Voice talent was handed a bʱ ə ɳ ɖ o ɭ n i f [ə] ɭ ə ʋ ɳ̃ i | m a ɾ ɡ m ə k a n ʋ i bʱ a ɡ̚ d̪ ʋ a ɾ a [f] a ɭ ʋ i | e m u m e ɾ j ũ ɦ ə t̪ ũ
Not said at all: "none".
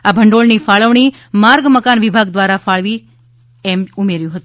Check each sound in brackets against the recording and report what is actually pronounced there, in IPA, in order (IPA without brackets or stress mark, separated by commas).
a, f